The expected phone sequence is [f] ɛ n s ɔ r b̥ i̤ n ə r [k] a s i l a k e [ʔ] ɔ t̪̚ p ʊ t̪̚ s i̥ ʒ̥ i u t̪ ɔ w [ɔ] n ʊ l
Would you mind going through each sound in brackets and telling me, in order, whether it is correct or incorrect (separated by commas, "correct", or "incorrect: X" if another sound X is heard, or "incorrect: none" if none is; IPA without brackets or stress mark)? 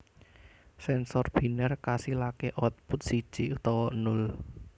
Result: incorrect: s, correct, correct, correct